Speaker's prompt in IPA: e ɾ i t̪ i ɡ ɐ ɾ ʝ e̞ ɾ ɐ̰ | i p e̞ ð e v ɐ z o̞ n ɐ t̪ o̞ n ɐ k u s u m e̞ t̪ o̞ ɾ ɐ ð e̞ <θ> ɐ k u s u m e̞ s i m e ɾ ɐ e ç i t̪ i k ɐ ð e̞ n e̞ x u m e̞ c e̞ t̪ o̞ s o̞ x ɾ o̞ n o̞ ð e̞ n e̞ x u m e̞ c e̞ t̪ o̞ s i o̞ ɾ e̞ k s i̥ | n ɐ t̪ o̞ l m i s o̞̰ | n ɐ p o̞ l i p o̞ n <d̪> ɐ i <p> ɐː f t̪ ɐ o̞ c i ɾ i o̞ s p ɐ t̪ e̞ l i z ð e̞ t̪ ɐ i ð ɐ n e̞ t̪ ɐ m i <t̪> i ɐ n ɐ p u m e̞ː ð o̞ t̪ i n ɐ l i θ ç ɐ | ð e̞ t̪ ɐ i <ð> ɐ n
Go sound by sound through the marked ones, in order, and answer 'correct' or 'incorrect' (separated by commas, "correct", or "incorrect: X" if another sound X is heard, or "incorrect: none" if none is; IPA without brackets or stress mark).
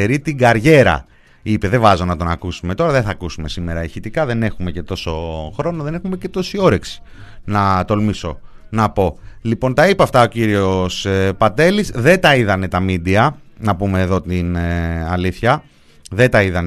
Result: correct, incorrect: t̪, correct, incorrect: d̪, correct